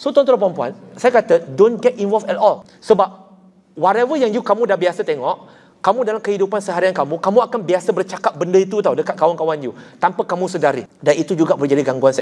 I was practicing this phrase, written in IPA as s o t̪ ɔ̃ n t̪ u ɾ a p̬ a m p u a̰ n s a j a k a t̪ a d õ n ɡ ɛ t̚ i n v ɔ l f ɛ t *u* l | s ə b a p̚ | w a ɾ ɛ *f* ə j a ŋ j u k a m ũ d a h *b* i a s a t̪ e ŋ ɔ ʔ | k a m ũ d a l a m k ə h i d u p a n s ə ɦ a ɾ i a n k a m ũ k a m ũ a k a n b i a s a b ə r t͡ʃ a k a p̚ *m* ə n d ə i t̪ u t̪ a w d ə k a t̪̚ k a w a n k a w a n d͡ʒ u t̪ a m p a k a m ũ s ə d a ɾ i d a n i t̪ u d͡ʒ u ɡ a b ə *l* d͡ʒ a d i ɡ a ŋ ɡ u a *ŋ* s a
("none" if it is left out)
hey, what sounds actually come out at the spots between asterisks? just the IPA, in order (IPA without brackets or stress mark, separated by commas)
ɔ, v, b, b, r, n